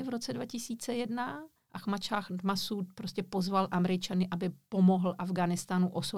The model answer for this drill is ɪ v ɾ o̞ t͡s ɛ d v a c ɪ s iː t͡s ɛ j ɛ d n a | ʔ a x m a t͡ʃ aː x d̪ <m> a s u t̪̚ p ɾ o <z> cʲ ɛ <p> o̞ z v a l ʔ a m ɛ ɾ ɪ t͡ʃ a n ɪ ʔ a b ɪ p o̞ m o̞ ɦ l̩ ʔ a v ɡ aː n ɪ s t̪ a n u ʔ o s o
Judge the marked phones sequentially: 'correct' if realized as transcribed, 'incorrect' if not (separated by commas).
correct, incorrect, correct